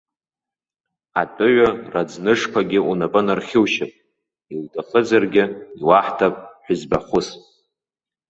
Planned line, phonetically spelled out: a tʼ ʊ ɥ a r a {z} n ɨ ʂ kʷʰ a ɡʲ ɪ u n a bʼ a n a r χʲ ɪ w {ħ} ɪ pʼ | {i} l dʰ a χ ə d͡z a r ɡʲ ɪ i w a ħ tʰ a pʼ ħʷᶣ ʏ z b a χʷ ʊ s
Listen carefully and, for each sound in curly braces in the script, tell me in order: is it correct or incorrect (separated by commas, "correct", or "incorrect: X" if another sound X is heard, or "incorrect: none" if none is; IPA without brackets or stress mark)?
incorrect: d͡z, incorrect: ʃ, correct